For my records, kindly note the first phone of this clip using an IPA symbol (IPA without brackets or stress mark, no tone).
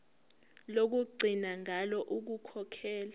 l